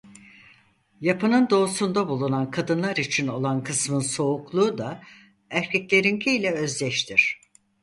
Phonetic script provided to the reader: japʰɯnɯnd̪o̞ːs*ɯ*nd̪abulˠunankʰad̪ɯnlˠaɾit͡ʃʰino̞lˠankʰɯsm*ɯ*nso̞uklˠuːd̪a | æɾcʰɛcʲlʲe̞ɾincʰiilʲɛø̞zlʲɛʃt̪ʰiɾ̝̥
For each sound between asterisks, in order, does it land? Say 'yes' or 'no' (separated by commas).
no, yes